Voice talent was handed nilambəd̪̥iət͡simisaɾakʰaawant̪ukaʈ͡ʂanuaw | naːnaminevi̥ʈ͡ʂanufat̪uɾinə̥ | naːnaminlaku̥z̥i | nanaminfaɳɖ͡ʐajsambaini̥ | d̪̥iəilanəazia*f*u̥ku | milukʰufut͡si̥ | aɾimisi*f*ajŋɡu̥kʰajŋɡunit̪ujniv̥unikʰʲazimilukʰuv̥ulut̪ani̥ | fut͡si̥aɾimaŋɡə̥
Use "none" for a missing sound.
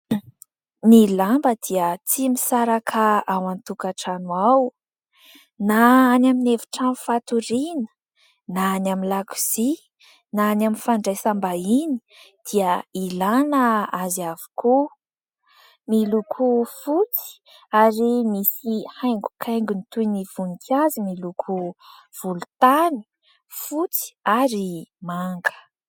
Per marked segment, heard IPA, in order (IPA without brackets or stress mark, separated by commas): v, h